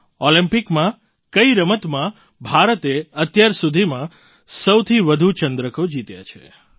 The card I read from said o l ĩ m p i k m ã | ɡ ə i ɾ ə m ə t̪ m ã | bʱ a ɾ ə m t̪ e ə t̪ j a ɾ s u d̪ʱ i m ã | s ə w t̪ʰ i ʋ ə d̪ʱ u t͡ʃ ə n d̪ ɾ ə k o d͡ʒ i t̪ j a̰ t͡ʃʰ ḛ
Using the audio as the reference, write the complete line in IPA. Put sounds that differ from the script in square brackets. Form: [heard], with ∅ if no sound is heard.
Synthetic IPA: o l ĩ m p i k m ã | [k] ə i ɾ ə m ə t̪ m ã | bʱ a ɾ ə [∅] t̪ e ə t̪ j a ɾ s u d̪ʱ i m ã | s ə w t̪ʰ i ʋ ə d̪ʱ u t͡ʃ ə n d̪ ɾ ə k o d͡ʒ i t̪ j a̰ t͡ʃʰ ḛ